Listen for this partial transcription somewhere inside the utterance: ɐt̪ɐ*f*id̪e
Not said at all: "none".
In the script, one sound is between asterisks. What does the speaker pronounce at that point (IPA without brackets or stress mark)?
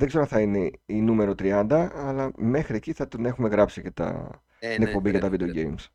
v